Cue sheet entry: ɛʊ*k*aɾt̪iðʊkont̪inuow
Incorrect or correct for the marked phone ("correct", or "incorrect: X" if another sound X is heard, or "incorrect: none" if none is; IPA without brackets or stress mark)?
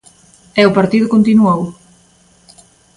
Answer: incorrect: p